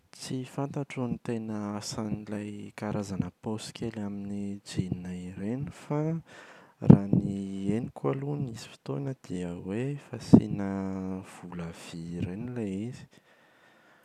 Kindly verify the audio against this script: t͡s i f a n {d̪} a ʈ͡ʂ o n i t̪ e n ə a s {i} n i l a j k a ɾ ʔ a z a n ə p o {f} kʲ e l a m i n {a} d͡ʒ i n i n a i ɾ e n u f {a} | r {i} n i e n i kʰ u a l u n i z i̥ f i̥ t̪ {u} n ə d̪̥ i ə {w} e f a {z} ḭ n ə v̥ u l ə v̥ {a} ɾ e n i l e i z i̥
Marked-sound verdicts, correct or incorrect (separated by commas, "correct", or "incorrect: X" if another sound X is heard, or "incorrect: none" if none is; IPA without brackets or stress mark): incorrect: t̪, incorrect: a, incorrect: s, incorrect: i, correct, incorrect: a, incorrect: o, correct, incorrect: s, incorrect: i